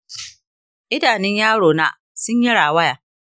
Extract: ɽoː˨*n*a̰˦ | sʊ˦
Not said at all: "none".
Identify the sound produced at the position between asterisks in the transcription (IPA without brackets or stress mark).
n